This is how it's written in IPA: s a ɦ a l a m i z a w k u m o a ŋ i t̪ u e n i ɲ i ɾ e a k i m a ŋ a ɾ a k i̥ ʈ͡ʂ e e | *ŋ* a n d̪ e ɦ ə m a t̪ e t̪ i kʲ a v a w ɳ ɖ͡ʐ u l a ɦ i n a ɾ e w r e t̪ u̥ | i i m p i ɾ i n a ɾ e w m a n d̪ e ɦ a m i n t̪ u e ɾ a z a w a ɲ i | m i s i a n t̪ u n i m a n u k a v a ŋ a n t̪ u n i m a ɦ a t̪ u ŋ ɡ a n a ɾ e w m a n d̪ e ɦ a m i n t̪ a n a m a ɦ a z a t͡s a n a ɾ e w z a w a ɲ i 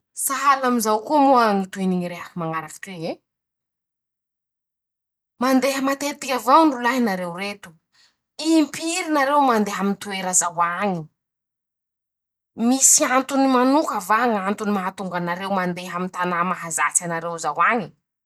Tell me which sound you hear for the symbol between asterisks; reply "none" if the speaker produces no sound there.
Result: m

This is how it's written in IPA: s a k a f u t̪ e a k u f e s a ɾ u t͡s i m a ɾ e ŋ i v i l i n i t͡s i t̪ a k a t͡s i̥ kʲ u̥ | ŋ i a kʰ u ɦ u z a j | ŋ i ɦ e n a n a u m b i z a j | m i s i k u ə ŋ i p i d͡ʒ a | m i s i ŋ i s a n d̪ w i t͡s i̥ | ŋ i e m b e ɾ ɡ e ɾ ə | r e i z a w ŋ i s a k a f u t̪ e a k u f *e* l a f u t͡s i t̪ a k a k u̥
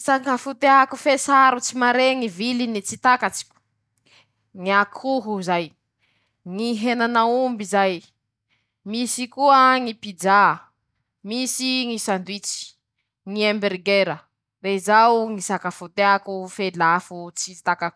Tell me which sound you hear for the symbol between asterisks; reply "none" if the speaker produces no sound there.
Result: e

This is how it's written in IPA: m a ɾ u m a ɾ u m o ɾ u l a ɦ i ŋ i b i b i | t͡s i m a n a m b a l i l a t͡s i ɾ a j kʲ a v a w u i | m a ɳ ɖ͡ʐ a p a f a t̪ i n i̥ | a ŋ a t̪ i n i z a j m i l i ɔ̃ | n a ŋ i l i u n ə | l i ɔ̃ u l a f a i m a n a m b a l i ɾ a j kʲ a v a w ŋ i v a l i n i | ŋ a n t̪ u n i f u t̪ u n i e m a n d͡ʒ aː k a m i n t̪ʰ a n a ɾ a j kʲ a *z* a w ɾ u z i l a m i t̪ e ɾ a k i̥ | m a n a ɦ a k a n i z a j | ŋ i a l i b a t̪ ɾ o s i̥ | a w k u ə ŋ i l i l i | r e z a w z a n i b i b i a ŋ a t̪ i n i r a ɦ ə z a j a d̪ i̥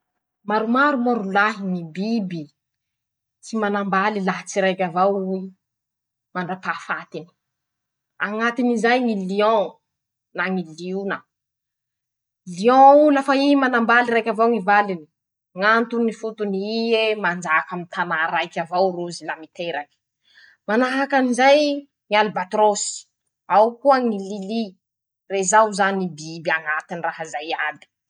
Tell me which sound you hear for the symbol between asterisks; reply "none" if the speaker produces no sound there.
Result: v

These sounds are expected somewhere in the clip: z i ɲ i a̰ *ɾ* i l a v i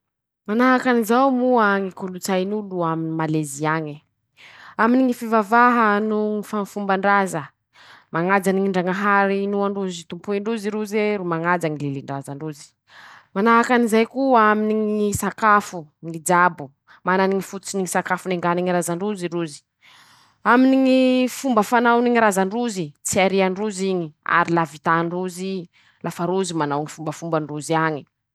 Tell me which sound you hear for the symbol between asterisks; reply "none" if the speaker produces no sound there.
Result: ɾ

